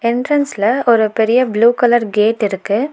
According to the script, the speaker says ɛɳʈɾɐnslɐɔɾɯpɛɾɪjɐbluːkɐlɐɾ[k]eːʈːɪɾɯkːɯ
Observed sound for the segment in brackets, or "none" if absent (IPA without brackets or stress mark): ɡ